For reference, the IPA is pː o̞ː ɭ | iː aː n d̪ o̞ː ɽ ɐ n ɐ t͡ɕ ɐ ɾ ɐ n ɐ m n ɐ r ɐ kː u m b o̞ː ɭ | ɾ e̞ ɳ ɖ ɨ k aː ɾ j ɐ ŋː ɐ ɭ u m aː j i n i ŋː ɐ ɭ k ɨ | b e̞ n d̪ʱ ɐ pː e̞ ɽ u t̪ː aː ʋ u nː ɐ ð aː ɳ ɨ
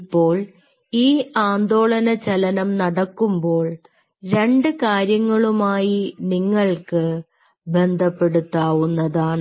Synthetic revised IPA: pː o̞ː ɭ | iː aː n d̪ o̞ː ɭ ɐ n ɐ t͡ɕ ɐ l ɐ n ɐ m n ɐ ɽ ɐ kː u m b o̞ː ɭ | ɾ e̞ ɳ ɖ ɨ k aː ɾ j ɐ ŋː ɐ ɭ u m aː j i n i ŋː ɐ ɭ k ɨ | b e̞ n d̪ʱ ɐ pː e̞ ɽ u t̪ː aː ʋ u nː ɐ ð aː ɳ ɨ